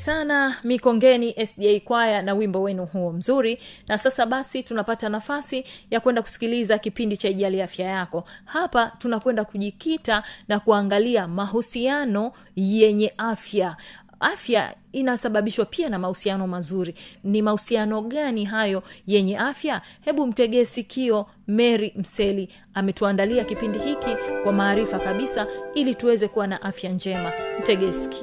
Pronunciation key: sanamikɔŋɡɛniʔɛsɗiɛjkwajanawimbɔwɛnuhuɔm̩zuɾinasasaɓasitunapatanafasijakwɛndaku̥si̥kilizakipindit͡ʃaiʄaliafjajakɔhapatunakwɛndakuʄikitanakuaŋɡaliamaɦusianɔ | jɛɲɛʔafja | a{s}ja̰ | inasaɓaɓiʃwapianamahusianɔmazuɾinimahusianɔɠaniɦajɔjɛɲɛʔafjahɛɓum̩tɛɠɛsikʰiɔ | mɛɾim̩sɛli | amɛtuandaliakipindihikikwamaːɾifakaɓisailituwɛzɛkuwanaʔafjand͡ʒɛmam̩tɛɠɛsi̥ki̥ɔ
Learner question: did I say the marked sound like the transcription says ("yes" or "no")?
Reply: no